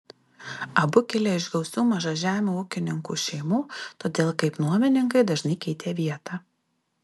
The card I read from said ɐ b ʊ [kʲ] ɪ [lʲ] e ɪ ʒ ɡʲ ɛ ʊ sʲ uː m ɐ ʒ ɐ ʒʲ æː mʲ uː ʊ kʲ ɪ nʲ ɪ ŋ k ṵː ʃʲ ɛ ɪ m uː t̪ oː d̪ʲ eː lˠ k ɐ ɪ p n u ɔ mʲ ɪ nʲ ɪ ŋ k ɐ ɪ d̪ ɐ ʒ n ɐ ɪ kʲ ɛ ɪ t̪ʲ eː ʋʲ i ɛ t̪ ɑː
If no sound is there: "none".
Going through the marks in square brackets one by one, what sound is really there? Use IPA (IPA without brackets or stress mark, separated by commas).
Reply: kʲ, lʲ